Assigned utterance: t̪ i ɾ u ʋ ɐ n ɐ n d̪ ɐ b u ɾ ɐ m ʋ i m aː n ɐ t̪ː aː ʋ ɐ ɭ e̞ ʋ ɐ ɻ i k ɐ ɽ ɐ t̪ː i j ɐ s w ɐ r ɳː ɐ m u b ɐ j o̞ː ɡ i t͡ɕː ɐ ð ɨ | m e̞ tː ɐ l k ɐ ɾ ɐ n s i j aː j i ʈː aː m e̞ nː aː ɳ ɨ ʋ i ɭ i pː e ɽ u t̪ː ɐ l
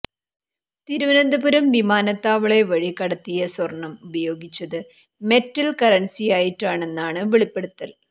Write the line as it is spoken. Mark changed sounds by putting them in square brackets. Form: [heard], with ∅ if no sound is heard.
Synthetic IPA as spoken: t̪ i ɾ u ʋ ɐ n ɐ n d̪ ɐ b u ɾ ɐ m ʋ i m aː n ɐ t̪ː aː ʋ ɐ ɭ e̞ ʋ ɐ ɻ i k ɐ ɽ ɐ t̪ː i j ɐ s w ɐ r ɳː ɐ m u b ɐ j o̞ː ɡ i t͡ɕː ɐ ð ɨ | m e̞ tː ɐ l k ɐ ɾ ɐ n s i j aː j i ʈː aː [ɳ] e̞ nː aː ɳ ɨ ʋ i ɭ i pː e ɽ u t̪ː ɐ l